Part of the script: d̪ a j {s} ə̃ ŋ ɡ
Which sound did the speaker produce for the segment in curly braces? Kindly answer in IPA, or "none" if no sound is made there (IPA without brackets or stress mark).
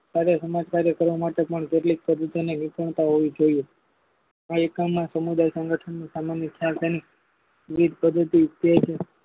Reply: s